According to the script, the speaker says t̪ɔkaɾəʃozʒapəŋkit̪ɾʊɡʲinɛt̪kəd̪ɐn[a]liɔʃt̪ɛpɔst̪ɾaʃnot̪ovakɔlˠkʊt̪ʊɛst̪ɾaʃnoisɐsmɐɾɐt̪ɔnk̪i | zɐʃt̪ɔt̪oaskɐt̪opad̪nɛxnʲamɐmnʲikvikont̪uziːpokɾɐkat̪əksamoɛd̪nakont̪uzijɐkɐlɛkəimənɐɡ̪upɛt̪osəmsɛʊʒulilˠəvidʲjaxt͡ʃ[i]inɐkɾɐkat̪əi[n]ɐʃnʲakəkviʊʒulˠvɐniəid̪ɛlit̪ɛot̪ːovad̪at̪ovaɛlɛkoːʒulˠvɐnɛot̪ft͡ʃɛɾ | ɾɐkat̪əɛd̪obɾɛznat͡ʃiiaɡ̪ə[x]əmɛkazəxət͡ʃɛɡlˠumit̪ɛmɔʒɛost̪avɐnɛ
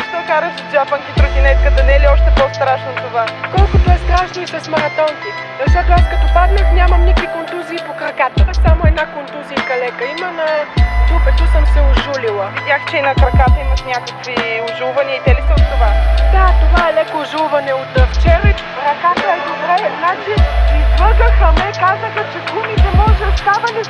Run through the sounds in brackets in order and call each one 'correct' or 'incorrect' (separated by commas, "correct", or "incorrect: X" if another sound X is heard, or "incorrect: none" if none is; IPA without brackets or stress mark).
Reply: incorrect: ɛ, incorrect: ɛ, incorrect: m, correct